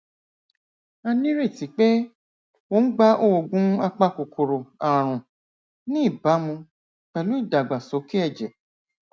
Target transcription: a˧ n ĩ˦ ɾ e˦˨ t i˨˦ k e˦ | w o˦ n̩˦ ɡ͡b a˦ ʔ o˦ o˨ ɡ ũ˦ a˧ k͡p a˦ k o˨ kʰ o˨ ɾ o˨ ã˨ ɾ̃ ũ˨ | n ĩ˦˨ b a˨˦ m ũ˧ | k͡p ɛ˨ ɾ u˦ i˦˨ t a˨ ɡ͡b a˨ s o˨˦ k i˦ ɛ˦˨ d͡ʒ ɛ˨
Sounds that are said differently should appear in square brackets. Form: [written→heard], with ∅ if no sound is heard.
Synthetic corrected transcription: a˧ n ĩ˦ ɾ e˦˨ t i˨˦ [k→k͡p] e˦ | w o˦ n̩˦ ɡ͡b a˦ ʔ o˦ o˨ ɡ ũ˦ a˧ k͡p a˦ k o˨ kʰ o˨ ɾ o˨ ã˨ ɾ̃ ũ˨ | n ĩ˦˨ b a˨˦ m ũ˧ | k͡p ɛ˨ [ɾ→l] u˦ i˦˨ [t→d] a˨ ɡ͡b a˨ s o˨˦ k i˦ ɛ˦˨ d͡ʒ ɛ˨